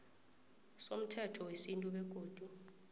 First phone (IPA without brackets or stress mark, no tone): s